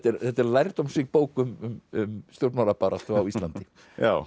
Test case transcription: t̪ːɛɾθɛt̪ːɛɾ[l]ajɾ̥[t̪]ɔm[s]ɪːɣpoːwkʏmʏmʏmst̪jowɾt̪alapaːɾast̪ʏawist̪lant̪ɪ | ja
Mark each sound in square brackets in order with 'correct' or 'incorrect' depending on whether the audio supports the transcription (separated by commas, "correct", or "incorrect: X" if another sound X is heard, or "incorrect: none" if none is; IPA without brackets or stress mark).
correct, correct, correct